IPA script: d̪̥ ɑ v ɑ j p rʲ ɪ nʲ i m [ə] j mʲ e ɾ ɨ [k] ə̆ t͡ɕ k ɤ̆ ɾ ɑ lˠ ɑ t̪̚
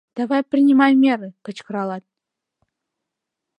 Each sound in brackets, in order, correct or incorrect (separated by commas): incorrect, correct